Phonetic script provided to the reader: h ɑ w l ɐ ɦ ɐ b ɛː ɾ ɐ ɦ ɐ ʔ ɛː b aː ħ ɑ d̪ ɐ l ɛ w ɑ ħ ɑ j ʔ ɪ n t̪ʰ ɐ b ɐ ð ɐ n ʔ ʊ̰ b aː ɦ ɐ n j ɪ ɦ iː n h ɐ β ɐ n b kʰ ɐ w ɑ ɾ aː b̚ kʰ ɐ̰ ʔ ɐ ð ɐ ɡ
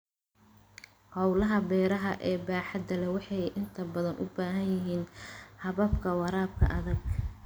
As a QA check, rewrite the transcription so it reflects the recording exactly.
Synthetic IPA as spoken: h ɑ w l ɐ ɦ ɐ b ɛː ɾ ɐ ɦ ɐ ʔ ɛː b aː ħ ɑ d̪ ɐ l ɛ w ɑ ħ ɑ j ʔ ɪ n t̪ʰ ɐ b ɐ ð ɐ n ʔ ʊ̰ b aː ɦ ɐ n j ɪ ɦ iː n h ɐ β ɐ b kʰ ɐ w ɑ ɾ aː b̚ kʰ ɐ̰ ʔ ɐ ð ɐ ɡ